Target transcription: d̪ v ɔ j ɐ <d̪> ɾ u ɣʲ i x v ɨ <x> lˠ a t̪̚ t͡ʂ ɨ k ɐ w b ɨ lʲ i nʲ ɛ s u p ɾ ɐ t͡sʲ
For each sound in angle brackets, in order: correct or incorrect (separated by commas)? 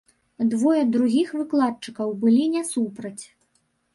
correct, incorrect